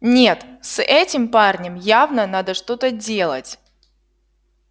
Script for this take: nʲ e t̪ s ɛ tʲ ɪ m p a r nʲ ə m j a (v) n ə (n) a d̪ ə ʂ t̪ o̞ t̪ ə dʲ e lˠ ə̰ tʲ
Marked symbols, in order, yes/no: yes, yes

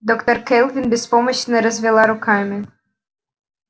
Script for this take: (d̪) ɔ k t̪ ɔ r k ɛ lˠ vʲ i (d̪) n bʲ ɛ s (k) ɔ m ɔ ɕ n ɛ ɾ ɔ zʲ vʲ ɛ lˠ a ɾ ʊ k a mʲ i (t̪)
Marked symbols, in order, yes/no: yes, no, no, no

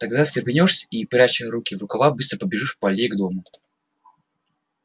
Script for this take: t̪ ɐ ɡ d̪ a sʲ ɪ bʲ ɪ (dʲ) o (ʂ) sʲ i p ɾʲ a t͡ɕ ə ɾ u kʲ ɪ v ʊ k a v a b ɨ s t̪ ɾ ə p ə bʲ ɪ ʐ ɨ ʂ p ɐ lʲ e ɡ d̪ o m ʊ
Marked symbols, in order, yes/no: no, yes

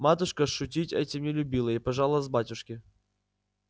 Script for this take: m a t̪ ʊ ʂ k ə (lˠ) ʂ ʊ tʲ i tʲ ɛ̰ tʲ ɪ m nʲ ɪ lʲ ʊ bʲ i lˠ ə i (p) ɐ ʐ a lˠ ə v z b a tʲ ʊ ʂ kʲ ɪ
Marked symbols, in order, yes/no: no, yes

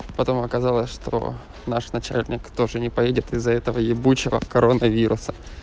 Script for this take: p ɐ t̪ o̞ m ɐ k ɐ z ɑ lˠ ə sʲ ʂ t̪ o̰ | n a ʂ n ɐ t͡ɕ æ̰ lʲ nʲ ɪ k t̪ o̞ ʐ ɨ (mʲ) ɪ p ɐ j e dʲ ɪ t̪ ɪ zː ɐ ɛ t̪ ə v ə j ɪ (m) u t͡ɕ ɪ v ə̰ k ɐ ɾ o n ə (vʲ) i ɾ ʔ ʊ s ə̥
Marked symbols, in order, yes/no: no, no, yes

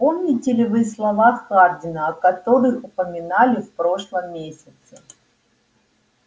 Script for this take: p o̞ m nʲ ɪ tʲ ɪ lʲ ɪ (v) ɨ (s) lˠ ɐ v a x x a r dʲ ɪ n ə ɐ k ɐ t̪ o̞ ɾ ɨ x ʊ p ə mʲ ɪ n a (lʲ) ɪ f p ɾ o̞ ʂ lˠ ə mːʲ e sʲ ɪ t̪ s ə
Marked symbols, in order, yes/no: yes, yes, yes

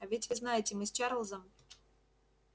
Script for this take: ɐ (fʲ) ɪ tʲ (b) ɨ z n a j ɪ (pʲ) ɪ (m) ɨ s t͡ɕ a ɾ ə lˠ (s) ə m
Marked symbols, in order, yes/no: no, no, no, yes, no

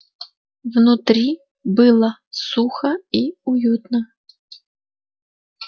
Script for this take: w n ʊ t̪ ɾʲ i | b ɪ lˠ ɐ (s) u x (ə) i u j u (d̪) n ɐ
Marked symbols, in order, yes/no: yes, no, no

